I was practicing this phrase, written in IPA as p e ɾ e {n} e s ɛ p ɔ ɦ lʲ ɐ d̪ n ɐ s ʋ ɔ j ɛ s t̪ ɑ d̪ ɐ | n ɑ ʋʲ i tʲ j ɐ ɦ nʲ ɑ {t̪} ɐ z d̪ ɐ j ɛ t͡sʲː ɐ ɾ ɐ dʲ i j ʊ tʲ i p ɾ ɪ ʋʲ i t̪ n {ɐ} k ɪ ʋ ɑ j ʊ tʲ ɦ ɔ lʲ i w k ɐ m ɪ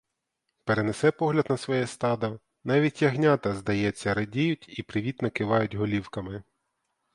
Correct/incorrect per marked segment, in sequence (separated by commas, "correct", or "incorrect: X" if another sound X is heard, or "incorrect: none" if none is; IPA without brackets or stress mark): correct, correct, correct